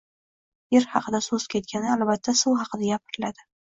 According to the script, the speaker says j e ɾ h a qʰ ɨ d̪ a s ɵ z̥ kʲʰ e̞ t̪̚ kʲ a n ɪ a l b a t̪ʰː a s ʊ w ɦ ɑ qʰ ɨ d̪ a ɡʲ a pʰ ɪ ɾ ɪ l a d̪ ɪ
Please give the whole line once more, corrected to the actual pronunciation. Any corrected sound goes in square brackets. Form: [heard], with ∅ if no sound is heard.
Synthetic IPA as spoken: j e ɾ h [ɑ] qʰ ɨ d̪ a s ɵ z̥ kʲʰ e̞ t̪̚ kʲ a n ɪ a l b a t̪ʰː a s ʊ w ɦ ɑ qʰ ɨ d̪ a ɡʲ a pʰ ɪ ɾ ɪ l a d̪ ɪ